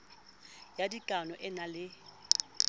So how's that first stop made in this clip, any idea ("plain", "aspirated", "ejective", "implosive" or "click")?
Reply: plain